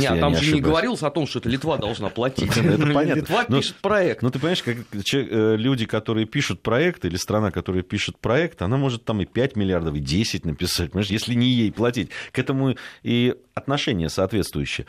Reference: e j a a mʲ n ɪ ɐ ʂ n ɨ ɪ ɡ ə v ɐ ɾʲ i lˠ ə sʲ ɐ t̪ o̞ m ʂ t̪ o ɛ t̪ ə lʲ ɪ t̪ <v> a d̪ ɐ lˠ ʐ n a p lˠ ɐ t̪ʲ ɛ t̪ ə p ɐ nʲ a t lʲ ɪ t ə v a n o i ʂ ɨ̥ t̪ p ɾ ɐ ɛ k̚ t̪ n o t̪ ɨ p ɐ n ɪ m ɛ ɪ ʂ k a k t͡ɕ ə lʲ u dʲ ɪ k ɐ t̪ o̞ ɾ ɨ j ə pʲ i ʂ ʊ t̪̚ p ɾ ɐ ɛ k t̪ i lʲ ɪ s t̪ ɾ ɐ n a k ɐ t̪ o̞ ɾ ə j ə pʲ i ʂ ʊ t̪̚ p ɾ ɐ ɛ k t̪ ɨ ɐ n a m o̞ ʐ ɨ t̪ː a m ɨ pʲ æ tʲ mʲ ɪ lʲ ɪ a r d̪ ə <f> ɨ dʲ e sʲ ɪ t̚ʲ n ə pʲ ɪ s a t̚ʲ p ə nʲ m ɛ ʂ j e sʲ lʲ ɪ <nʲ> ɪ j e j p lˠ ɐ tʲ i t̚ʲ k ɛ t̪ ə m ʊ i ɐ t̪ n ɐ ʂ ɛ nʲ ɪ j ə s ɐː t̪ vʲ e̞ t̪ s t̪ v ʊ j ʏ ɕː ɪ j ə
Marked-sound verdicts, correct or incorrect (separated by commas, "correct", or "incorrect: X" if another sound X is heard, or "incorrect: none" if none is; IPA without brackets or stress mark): correct, correct, correct